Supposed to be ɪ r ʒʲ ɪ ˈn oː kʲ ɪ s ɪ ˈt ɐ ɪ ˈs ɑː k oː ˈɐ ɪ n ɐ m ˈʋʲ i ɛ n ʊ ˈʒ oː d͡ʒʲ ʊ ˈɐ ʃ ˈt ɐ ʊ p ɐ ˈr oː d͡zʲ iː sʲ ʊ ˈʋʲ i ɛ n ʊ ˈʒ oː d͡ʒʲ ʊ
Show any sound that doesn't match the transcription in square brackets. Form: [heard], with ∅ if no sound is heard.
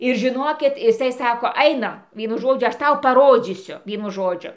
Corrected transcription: ɪ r ʒʲ ɪ ˈn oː kʲ ɪ [t] ɪ [ˈs] ɐ ɪ ˈs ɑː k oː ˈɐ ɪ n ɐ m ˈʋʲ i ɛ n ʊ ˈʒ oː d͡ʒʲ ʊ ˈɐ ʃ ˈt ɐ ʊ p ɐ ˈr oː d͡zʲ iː sʲ ʊ ˈʋʲ i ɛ n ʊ ˈʒ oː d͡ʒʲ ʊ